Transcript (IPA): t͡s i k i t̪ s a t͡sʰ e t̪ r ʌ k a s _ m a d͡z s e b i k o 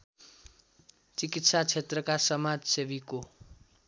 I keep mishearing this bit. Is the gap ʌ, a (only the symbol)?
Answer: ʌ